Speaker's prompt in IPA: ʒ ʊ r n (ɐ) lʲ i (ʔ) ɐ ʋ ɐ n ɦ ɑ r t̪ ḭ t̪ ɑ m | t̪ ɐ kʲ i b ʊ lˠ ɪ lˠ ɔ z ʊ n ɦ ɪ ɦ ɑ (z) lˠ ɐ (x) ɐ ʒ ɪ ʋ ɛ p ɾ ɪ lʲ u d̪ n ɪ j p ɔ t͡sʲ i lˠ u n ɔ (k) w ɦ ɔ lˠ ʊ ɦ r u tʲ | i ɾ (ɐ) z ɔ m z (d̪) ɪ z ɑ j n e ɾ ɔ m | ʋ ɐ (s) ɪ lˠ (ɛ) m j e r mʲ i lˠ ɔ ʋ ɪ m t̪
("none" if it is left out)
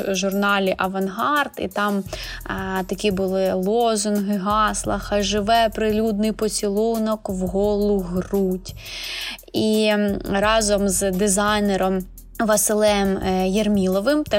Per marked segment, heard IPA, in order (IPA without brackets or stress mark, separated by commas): ɑ, ʔ, s, x, k, ɑ, d̪, s, ɛ